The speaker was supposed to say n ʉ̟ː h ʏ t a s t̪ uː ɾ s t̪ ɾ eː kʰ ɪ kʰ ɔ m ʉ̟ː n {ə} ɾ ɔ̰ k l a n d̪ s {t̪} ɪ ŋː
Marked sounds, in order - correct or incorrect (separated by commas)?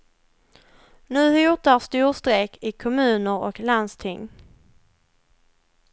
correct, incorrect